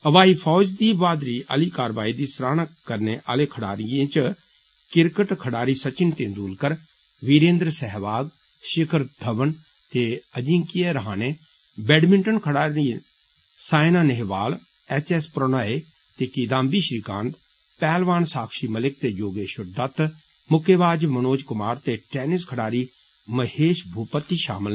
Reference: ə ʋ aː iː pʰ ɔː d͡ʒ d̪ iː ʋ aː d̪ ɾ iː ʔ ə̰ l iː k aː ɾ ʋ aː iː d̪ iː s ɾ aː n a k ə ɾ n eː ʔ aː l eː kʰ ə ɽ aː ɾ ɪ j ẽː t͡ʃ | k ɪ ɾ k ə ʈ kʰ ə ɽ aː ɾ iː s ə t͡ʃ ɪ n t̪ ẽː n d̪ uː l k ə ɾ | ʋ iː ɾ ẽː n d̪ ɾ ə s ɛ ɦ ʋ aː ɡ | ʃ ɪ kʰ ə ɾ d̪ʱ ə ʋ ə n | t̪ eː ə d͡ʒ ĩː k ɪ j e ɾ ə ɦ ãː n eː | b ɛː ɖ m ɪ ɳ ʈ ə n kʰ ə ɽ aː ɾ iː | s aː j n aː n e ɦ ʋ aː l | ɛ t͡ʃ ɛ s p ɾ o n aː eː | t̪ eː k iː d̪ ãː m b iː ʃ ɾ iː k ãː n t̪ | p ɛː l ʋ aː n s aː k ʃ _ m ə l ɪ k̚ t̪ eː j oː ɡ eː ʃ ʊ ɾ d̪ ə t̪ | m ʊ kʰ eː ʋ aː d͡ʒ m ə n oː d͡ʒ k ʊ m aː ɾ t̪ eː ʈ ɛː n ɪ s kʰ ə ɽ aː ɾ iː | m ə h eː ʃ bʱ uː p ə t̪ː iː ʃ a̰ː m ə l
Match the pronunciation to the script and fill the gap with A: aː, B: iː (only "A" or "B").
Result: B